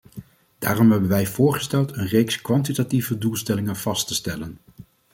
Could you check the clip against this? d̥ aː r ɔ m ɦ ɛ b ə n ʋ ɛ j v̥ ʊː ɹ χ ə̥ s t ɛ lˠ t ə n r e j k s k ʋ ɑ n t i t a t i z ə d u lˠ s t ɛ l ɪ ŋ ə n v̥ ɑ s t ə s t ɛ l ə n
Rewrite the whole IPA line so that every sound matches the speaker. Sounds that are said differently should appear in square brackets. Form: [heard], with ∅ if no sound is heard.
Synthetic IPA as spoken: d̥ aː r ɔ m ɦ ɛ b ə n ʋ ɛ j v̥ ʊː ɹ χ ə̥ s t ɛ lˠ t ə n r e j k s k ʋ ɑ n t i t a t i [v] ə d u lˠ s t ɛ l ɪ ŋ ə n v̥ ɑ s t ə s t ɛ l ə n